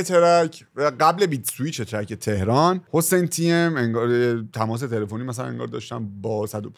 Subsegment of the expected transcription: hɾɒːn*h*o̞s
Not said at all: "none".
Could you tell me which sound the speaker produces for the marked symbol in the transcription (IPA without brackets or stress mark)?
h